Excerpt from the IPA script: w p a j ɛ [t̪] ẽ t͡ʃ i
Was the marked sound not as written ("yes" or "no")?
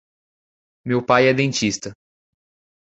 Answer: yes